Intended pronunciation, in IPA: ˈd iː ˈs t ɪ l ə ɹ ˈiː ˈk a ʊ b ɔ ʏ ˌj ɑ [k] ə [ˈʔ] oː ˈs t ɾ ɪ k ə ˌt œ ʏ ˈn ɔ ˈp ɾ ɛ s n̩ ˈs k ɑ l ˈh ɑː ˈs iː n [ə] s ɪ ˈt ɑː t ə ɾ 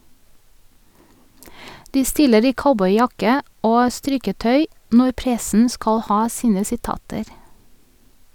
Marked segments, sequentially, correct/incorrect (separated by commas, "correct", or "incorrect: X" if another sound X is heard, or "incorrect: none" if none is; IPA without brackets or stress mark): correct, correct, correct